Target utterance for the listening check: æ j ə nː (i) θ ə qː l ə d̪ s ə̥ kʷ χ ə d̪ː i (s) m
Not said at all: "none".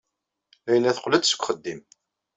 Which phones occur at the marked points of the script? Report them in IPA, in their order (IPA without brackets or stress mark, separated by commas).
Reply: æ, none